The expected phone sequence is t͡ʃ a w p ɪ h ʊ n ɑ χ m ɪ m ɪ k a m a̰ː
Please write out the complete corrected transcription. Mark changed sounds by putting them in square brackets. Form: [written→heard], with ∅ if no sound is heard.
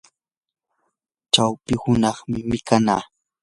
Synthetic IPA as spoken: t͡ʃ a w p ɪ h ʊ n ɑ χ m ɪ m ɪ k a [m→n] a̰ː